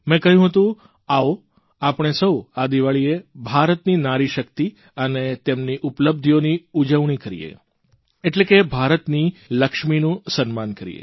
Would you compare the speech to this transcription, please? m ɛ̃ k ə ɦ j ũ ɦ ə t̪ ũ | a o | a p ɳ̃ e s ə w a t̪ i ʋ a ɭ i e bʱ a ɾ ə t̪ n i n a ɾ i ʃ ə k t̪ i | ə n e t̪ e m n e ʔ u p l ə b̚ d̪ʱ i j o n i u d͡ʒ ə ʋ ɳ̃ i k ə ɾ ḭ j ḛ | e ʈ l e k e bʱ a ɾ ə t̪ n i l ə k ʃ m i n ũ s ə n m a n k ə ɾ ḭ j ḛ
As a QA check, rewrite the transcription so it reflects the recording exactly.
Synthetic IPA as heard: m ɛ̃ k ə ɦ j ũ ɦ ə t̪ ũ | a o | a p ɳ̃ e s ə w a d̪ i ʋ a ɭ i e bʱ a ɾ ə t̪ n i n a ɾ i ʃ ə k t̪ i | ə n e t̪ e m n i ʔ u p l ə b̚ d̪ʱ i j o n i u d͡ʒ ə ʋ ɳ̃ i k ə ɾ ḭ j ḛ | e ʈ l e k e bʱ a ɾ ə t̪ n i l ə k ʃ m i n ũ s ə n m a n k ə ɾ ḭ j ḛ